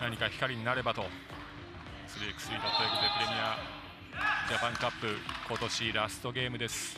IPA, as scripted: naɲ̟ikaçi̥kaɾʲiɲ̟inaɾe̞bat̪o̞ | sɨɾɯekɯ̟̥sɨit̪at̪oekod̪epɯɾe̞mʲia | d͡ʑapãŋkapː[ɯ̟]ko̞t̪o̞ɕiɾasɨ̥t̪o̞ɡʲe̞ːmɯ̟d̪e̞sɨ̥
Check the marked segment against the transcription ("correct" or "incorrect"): correct